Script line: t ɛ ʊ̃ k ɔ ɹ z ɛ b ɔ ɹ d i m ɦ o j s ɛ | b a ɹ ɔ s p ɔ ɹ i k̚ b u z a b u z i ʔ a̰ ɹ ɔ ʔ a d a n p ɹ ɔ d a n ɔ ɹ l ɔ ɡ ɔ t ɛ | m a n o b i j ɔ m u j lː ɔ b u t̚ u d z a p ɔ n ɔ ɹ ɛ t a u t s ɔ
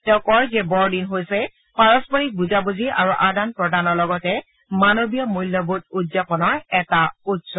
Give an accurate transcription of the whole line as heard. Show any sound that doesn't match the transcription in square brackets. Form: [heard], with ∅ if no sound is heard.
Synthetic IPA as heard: t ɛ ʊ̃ k ɔ ɹ z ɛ b ɔ ɹ d i [n] ɦ o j s ɛ | [p] a ɹ ɔ s p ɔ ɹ i k̚ b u z a b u z i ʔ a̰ ɹ [u] ʔ a d a n p ɹ ɔ d a n ɔ ɹ l ɔ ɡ ɔ t ɛ | m a n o b i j ɔ m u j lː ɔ b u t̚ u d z a p ɔ n ɔ ɹ ɛ t a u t s ɔ